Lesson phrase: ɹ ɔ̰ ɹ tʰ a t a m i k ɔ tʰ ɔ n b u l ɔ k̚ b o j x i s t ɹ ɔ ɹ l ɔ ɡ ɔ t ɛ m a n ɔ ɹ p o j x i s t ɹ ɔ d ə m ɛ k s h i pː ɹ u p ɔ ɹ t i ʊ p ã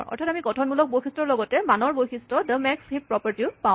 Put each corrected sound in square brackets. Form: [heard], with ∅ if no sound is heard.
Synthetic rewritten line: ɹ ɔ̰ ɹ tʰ a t a m i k ɔ tʰ ɔ n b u l ɔ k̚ b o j x i s t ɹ ɔ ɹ l ɔ ɡ ɔ t ɛ m a n ɔ ɹ [b] o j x i s t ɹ ɔ d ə m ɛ k s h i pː ɹ [ɔ] p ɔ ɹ t i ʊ p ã